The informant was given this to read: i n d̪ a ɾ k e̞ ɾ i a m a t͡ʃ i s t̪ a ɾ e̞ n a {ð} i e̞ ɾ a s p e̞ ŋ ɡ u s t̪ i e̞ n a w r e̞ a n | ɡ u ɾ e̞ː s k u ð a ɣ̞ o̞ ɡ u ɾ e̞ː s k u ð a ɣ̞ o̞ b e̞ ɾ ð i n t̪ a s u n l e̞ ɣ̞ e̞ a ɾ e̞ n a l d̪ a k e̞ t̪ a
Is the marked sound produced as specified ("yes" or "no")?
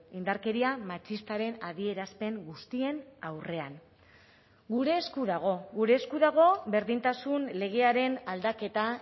yes